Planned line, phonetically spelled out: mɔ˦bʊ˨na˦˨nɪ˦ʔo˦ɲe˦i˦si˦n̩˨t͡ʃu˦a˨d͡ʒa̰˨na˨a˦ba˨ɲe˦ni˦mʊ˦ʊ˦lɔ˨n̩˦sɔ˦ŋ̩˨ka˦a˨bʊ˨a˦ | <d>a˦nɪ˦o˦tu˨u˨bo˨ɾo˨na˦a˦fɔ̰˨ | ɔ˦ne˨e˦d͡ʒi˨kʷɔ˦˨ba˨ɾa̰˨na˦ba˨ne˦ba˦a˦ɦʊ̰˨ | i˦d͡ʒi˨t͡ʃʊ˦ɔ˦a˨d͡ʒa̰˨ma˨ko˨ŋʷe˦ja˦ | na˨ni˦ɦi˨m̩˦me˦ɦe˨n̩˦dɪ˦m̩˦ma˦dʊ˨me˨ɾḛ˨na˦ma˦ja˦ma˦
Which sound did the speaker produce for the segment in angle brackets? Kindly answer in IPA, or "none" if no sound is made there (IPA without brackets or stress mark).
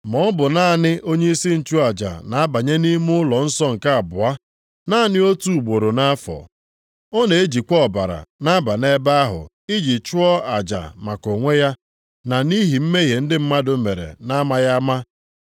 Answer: n